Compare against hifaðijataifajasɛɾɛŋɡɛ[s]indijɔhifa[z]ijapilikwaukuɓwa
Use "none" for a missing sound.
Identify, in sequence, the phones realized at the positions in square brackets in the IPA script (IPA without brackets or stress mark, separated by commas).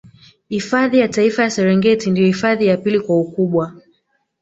t, ð